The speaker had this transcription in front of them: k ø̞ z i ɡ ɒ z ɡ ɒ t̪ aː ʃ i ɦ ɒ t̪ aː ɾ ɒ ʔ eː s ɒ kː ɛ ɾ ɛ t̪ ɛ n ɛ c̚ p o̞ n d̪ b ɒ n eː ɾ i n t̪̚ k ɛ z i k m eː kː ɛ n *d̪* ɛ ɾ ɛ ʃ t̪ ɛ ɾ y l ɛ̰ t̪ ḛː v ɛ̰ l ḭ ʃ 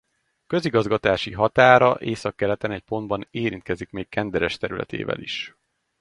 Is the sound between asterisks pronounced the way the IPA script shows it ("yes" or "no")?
yes